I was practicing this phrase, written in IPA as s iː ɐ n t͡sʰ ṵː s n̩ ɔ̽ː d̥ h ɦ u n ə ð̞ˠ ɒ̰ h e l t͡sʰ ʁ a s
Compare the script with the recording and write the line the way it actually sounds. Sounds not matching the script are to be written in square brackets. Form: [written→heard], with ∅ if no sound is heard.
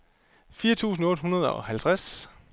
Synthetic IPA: [s→f] iː ɐ [n→∅] t͡sʰ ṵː s n̩ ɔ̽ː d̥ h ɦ u n [ə→ɐ] ð̞ˠ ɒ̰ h [e→æ] l t͡sʰ ʁ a s